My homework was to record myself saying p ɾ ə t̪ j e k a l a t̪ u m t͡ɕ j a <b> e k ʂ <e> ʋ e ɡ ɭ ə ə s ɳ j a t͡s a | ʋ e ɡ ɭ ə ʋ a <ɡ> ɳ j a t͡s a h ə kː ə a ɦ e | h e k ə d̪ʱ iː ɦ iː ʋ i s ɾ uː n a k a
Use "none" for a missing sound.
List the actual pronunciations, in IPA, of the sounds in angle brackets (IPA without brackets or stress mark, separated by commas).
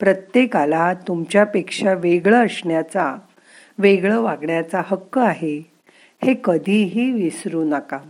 p, a, ɡ